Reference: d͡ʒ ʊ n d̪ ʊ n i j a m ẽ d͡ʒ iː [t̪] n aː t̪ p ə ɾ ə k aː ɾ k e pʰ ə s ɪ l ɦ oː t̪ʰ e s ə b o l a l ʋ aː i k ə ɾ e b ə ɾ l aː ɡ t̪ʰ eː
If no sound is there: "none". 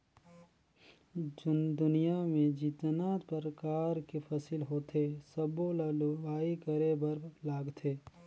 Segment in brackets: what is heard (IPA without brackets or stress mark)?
t̪